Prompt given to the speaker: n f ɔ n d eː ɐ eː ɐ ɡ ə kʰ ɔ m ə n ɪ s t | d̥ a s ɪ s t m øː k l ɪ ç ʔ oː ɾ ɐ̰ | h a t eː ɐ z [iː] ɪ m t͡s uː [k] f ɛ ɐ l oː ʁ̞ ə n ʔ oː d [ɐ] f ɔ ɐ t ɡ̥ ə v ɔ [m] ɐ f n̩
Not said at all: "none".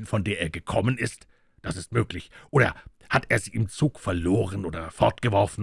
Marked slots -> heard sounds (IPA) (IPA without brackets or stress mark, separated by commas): iː, k, ɐ, none